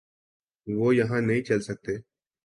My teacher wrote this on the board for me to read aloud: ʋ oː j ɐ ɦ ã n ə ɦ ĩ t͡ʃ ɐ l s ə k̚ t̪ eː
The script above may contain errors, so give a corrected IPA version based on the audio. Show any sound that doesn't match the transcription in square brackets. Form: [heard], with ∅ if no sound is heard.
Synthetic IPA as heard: ʋ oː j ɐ ɦ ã n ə ɦ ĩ t͡ʃ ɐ l s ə k̚ t̪ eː